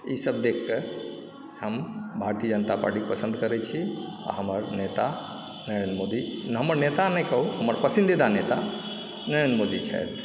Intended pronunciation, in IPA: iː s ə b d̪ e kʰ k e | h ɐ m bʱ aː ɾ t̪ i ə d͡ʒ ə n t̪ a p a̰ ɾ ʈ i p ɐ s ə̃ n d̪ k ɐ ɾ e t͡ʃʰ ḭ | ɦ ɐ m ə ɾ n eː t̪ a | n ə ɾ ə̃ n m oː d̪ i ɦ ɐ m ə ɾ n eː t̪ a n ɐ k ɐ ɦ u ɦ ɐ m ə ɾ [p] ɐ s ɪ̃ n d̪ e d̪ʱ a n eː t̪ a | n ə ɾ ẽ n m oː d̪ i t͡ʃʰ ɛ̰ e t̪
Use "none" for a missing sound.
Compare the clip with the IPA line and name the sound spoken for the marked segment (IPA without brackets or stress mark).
p